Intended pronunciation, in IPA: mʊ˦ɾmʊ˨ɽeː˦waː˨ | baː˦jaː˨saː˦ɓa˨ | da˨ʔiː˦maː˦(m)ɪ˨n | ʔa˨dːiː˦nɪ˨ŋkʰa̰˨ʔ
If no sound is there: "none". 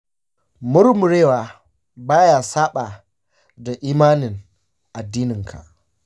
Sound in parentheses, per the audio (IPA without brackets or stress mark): n